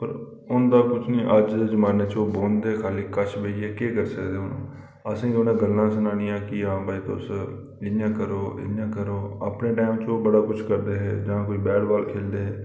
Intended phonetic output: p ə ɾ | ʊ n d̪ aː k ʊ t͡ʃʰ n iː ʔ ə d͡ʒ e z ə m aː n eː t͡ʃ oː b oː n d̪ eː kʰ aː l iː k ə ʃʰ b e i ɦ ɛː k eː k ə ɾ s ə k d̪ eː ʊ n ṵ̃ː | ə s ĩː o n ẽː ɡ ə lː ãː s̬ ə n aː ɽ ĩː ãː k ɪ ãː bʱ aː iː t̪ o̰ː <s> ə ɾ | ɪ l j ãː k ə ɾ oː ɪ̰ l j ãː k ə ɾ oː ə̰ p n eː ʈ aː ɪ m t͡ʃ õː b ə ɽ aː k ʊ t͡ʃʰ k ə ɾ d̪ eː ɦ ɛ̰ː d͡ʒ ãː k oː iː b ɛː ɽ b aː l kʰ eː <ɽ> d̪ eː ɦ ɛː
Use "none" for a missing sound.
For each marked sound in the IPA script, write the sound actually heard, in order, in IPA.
s, l

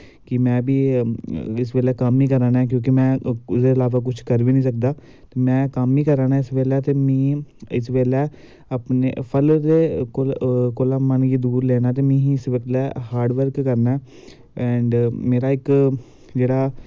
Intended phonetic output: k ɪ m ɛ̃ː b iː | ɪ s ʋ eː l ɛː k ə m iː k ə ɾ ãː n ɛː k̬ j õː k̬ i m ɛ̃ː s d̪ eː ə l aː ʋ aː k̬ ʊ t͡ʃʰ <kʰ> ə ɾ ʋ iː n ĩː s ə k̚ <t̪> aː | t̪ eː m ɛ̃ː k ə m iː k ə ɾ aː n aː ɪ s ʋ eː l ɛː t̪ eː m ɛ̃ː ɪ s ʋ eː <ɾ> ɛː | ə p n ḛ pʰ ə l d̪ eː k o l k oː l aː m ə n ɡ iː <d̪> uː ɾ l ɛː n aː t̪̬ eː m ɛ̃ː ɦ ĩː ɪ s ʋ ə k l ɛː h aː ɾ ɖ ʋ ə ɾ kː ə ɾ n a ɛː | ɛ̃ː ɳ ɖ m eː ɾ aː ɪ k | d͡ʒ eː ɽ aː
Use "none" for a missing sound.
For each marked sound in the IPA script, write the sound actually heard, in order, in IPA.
k, d̪, l, d̪

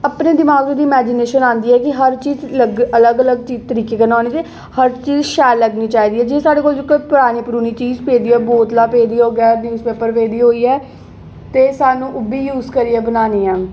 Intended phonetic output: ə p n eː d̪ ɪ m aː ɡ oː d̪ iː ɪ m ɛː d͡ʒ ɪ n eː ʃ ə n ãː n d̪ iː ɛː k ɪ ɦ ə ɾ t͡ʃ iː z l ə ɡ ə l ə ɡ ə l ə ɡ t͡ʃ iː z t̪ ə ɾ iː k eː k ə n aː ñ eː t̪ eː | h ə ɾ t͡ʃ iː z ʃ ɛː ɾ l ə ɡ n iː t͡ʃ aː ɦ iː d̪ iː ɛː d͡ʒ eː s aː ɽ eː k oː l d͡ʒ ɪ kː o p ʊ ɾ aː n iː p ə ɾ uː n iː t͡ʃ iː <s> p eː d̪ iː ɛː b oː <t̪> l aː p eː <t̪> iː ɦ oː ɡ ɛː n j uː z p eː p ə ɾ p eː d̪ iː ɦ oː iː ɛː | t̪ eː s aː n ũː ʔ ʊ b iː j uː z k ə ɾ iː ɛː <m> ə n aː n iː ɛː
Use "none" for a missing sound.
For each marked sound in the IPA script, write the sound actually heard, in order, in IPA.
z, t̪, d̪, b

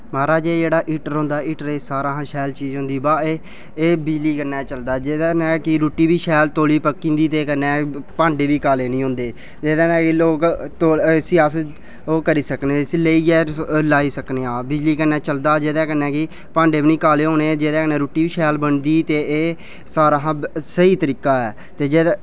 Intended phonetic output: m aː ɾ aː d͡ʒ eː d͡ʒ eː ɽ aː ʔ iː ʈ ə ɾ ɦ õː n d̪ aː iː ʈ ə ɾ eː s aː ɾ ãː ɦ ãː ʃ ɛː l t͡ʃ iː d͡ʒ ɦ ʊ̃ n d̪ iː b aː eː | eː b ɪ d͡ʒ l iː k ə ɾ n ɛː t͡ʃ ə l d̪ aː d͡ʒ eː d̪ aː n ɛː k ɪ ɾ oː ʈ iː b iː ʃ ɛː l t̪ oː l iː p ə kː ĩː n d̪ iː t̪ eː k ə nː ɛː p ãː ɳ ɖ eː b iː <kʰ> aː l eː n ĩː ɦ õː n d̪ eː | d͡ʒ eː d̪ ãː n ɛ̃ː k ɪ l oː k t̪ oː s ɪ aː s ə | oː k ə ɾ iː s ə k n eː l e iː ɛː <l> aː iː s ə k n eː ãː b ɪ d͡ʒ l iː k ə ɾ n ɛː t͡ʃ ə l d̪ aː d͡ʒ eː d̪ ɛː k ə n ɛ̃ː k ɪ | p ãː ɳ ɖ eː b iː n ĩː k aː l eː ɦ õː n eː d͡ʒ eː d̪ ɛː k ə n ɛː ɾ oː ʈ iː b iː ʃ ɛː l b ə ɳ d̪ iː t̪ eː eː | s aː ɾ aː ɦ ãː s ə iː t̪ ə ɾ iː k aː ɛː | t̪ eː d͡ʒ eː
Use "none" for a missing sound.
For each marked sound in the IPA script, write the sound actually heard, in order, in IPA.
k, l

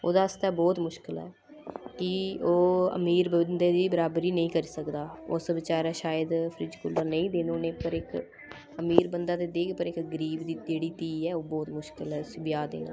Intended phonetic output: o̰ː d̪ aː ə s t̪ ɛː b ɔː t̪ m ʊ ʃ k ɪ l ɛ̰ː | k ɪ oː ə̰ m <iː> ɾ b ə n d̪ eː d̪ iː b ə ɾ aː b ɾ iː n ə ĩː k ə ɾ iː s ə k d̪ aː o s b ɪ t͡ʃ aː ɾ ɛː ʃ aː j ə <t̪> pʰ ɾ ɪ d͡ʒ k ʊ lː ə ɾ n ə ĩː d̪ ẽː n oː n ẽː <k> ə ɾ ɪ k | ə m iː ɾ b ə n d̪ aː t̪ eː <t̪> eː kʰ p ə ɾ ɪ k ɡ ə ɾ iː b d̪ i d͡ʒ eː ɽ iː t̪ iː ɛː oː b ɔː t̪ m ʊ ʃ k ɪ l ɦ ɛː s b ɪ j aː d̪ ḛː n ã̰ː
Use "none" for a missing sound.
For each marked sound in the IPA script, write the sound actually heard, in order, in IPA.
iː, d̪, p, d̪

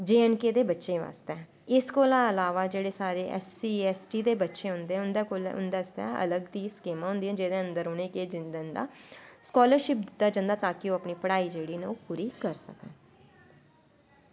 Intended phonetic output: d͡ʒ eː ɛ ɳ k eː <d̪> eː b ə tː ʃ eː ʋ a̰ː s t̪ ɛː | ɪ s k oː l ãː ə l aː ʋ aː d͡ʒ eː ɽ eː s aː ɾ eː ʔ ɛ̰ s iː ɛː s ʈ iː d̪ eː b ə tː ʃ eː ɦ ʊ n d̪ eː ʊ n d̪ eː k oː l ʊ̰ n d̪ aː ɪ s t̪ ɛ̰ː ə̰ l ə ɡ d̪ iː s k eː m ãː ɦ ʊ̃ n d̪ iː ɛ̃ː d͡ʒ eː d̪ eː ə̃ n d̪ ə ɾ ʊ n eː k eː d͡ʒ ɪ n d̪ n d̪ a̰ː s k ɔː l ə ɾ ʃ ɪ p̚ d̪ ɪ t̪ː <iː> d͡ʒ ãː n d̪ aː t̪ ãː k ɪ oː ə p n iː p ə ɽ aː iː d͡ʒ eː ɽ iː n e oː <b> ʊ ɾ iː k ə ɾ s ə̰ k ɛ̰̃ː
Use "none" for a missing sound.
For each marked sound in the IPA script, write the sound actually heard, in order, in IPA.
d̪, aː, p

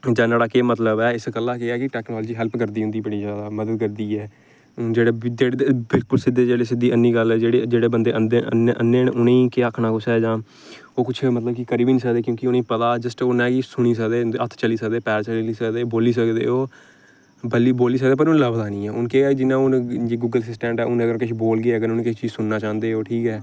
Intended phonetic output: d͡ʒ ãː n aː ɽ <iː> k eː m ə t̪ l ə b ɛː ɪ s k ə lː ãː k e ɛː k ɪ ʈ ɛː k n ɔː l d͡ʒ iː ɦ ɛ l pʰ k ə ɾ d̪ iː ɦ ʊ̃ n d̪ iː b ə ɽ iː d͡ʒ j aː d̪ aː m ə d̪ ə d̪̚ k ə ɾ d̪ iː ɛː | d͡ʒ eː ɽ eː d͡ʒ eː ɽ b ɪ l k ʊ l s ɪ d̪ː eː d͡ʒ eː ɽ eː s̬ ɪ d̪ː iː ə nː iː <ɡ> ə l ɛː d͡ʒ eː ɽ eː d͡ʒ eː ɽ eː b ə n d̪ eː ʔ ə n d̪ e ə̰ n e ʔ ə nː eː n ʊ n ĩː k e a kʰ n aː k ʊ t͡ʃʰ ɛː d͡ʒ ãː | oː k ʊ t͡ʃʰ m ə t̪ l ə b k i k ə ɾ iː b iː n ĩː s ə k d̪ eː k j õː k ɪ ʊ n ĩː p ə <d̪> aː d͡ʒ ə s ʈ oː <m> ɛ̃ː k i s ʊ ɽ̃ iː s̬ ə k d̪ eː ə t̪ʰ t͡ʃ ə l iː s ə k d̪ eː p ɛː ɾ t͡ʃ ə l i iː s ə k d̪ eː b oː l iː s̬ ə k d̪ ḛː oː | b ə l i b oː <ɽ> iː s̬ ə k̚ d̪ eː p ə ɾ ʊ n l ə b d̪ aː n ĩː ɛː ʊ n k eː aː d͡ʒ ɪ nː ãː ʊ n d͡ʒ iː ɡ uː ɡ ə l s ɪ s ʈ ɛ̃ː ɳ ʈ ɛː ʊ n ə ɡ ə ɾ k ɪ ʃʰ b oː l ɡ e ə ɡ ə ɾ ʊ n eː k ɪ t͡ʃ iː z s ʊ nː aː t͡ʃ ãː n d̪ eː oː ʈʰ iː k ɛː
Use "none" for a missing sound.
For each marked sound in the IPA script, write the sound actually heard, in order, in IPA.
aː, ɡ, t̪, n, l

